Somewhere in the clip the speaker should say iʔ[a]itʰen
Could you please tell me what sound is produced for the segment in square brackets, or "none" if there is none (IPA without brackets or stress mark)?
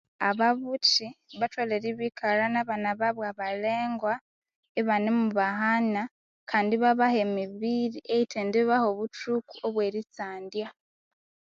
e